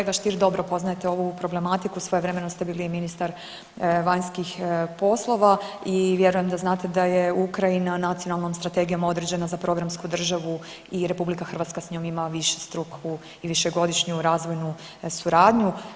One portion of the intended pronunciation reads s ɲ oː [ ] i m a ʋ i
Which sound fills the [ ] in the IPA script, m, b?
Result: m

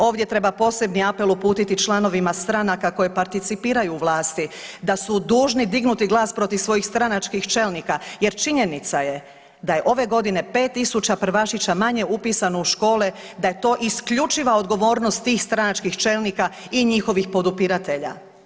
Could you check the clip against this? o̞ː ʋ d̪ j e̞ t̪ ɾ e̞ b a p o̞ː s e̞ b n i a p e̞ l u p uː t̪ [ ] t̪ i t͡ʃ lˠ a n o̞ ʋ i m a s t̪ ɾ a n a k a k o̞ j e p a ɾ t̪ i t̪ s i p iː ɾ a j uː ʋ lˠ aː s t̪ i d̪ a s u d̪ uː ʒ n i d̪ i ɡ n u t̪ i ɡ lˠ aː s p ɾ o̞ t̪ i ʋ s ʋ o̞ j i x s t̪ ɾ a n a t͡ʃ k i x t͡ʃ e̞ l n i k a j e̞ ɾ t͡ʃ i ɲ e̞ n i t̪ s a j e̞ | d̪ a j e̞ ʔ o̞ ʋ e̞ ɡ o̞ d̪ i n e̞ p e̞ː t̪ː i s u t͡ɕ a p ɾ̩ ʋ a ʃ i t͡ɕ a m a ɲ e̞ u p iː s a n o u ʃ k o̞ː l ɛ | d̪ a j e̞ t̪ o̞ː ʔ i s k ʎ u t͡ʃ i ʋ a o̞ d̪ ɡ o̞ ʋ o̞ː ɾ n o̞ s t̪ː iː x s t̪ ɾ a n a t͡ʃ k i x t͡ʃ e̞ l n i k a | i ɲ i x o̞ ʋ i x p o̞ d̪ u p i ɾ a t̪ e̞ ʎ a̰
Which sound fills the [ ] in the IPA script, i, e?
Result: i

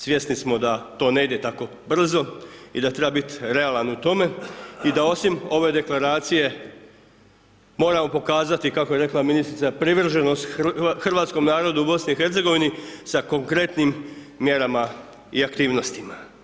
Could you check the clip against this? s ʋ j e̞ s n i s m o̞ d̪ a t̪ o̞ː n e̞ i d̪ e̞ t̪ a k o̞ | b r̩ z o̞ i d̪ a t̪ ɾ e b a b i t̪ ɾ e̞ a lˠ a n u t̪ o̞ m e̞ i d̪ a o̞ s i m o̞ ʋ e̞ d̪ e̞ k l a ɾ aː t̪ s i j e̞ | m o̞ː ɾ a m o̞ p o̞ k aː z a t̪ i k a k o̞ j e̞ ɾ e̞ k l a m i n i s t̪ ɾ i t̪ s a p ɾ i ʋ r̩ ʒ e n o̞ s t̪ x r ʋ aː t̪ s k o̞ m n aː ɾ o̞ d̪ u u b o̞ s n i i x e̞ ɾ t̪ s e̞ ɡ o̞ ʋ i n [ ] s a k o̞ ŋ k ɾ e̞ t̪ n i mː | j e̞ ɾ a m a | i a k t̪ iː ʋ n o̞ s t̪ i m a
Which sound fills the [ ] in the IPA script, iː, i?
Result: i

